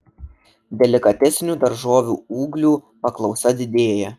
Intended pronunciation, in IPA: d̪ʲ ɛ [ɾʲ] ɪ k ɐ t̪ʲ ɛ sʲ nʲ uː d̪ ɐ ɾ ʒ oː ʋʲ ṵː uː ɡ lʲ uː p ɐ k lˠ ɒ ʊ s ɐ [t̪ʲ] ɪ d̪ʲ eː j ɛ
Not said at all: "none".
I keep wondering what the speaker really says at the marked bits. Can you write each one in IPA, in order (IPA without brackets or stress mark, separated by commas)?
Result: lʲ, d̪ʲ